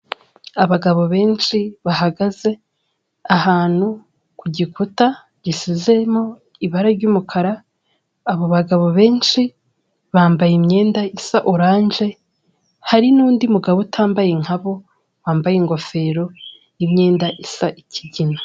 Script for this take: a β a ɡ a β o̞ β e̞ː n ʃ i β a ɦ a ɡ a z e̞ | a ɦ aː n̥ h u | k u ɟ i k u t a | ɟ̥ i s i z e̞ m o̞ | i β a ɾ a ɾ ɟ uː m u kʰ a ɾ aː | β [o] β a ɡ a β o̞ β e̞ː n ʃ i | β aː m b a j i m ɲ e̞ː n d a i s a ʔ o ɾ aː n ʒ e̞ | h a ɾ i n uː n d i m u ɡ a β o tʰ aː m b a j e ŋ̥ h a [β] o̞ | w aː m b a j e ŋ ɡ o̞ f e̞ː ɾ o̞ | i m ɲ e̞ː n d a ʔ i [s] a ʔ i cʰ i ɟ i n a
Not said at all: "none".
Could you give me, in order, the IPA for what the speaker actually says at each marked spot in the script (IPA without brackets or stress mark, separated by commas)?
o, β, s